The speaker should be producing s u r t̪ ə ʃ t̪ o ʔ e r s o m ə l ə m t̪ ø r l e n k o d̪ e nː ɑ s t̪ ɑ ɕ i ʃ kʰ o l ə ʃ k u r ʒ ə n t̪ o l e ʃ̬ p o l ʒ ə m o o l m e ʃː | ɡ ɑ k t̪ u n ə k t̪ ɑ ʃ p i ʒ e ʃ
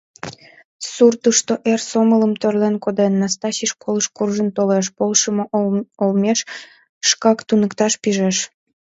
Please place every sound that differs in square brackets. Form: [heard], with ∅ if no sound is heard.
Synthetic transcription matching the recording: s u r t̪ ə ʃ t̪ o ʔ e r s o m ə l ə m t̪ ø r l e n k o d̪ e nː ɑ s t̪ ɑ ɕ i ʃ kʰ o l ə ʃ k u r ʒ ə n t̪ o l e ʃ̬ p o l [ʃ] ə m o o l m e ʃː | [k] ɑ k t̪ u n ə k t̪ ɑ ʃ p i ʒ e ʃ